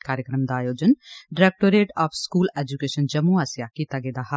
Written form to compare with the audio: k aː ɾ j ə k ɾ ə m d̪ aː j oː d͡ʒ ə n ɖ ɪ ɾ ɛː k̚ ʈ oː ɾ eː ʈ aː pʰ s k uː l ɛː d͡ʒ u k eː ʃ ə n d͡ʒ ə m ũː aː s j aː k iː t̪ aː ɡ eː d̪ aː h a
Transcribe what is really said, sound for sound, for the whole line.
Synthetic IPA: k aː ɾ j ə k ɾ ə m d̪ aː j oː d͡ʒ ə n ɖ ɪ ɾ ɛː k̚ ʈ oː ɾ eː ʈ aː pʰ s k uː l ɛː d͡ʒ u k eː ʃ ə n d͡ʒ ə m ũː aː s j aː k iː t̪ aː ɡ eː d̪ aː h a

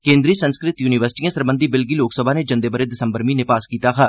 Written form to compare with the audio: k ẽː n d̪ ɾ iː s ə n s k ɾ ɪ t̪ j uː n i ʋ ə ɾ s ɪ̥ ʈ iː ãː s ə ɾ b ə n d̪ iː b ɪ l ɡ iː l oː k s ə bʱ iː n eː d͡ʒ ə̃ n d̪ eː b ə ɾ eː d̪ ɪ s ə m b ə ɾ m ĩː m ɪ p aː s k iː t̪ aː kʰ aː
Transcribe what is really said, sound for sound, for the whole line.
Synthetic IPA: k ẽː n d̪ ɾ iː s ə n s k ɾ ɪ t̪ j uː n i ʋ ə ɾ s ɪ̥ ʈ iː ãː s ə ɾ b ə n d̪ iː b ɪ l ɡ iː l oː k s ə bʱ aː n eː d͡ʒ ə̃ n d̪ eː b ə ɾ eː d̪ ɪ s ə m b ə ɾ m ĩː n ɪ p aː s k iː t̪ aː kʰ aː

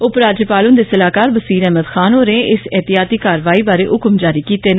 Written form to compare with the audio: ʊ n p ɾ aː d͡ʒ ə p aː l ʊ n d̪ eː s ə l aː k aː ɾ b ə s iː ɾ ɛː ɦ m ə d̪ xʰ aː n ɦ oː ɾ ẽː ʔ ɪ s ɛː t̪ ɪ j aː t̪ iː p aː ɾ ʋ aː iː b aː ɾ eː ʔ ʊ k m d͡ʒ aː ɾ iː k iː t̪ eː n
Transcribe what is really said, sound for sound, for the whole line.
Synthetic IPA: ʊ p ɾ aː d͡ʒ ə p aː l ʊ n d̪ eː s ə l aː k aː ɾ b ə s iː ɾ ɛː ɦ m ə d̪ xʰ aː n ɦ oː ɾ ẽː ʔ ɪ s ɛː t̪ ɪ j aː t̪ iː k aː ɾ ʋ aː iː b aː ɾ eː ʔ ʊ k m d͡ʒ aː ɾ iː k iː t̪ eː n

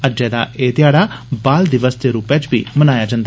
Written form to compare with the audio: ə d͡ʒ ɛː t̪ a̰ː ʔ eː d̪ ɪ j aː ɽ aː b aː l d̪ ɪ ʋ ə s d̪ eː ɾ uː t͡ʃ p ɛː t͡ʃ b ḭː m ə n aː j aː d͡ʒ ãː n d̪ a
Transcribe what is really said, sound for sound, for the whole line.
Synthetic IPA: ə d͡ʒ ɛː d̪ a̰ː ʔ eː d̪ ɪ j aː ɽ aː b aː l d̪ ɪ ʋ ə s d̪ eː ɾ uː p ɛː t͡ʃ b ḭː m ə n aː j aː d͡ʒ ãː n d̪ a

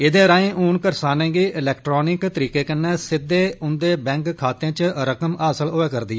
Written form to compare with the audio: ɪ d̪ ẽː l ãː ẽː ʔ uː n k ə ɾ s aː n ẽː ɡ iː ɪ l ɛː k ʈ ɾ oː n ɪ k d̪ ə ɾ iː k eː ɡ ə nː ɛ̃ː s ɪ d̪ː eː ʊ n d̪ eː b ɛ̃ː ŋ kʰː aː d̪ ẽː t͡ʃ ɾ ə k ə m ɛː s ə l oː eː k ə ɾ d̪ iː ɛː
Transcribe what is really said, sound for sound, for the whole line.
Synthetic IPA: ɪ d̪ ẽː ɾ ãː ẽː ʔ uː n k ə ɾ s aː n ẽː ɡ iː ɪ l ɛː k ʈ ɾ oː n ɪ k t̪ ə ɾ iː k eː k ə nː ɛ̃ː s ɪ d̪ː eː ʊ n d̪ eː b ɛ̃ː ŋ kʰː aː t̪ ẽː t͡ʃ ɾ ə k ə m aː s ə l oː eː k ə ɾ d̪ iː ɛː

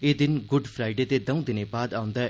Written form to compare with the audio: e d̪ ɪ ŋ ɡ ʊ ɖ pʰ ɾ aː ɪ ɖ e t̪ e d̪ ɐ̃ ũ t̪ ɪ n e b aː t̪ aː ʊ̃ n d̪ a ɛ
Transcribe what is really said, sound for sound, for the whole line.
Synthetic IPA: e d̪ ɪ n ɡ ʊ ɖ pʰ ɾ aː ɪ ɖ e t̪ e d̪ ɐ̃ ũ d̪ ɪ n e b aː d̪ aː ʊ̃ n d̪ a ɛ

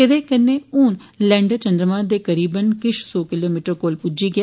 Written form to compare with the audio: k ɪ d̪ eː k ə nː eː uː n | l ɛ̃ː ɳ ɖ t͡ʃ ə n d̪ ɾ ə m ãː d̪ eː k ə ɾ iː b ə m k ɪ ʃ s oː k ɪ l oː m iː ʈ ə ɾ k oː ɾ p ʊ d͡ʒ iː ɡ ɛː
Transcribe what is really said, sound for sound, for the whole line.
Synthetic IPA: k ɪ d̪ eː k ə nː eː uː n | l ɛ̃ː ɳ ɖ t͡ʃ ə n d̪ ɾ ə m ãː d̪ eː k ə ɾ iː b ə n k ɪ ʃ s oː k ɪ l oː m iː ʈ ə ɾ k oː l p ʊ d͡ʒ iː ɡ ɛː

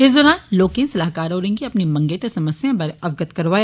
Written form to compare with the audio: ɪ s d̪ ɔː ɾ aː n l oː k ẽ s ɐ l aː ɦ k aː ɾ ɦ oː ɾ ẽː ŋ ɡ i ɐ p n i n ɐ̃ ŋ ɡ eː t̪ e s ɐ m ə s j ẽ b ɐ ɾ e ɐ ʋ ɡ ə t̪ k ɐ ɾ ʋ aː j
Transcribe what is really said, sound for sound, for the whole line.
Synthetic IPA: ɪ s d̪ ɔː ɾ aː n l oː k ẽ s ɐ l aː ɦ k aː ɾ ɦ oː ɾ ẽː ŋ ɡ i ɐ p n i m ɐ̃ ŋ ɡ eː t̪ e s ɐ m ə s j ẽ b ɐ ɾ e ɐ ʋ ɡ ə t̪ k ɐ ɾ ʋ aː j

